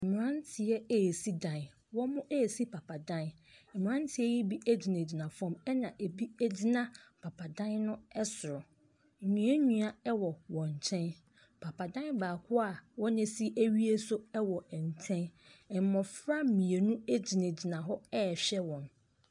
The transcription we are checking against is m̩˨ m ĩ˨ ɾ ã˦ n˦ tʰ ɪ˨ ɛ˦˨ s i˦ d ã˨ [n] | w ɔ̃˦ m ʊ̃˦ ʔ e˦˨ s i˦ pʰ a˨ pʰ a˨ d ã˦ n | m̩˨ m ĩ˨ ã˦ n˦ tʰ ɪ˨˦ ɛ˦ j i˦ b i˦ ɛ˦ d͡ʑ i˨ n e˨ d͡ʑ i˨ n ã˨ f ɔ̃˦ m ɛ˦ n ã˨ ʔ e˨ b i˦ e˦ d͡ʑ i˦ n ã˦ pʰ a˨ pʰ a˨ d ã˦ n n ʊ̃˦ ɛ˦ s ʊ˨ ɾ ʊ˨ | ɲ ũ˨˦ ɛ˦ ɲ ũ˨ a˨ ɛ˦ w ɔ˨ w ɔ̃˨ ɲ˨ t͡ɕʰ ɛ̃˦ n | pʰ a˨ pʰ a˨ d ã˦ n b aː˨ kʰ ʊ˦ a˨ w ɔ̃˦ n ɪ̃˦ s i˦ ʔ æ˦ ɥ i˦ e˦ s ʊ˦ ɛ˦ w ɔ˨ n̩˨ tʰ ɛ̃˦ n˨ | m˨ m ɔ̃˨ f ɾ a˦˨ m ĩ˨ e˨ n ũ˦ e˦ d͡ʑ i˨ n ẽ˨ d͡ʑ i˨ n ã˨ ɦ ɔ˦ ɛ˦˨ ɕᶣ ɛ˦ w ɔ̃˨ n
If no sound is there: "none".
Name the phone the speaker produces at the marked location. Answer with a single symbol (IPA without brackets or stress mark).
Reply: n